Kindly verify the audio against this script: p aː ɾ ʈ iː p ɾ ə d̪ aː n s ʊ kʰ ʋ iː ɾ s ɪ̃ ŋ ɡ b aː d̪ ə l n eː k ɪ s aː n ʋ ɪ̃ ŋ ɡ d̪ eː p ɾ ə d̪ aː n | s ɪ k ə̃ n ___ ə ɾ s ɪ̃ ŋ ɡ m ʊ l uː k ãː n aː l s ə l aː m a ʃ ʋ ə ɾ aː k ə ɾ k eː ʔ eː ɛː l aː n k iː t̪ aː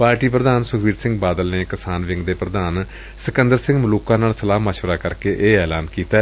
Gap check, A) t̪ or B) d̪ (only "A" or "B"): B